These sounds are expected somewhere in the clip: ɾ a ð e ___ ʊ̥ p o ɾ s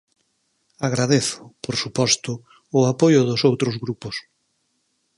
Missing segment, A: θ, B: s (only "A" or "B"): A